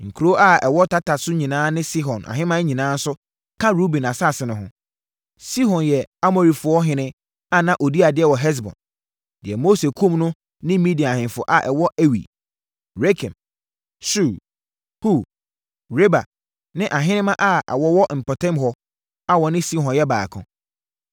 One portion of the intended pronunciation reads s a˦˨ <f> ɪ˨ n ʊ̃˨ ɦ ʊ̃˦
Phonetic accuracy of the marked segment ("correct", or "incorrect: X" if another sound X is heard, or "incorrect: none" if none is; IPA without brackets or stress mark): incorrect: s